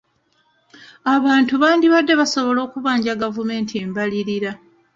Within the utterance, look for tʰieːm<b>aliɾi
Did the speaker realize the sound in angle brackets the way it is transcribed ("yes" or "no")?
yes